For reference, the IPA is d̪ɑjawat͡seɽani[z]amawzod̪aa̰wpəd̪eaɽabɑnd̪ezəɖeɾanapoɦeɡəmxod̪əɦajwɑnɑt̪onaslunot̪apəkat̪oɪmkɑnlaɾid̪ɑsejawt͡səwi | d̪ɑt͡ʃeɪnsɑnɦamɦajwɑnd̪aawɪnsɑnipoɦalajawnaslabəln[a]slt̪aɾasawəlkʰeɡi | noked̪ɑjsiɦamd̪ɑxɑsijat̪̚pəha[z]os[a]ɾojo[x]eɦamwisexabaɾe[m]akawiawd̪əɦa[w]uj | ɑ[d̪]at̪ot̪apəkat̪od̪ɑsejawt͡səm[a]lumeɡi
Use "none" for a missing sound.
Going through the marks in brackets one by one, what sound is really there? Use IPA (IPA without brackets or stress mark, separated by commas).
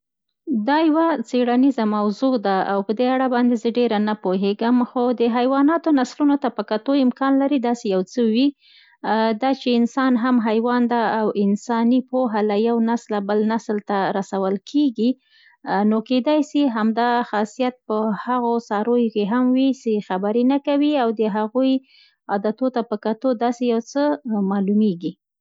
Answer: z, a, ɣ, ɑ, k, n, ɣ, d̪, ɑ